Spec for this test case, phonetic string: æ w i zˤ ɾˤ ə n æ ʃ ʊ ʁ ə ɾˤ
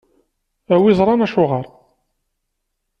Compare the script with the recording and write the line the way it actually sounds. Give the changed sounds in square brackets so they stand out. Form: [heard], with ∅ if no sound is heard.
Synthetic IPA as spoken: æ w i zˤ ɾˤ [ɑ] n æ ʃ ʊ ʁ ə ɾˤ